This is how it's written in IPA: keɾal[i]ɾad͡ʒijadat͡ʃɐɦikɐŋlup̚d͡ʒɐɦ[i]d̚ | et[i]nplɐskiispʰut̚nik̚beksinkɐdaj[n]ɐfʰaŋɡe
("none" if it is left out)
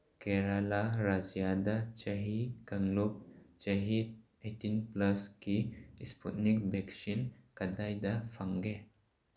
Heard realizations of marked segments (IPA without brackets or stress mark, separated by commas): a, i, i, d